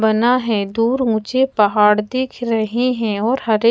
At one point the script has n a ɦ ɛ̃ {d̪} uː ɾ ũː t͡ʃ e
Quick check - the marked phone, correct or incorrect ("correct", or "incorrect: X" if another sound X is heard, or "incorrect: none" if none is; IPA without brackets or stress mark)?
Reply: correct